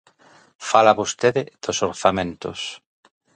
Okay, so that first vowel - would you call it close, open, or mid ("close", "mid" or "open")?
open